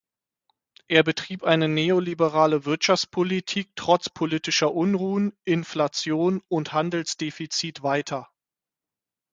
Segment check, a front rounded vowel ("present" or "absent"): absent